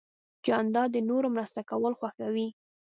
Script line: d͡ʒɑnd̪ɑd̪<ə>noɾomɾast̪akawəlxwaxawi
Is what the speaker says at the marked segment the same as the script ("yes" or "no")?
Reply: yes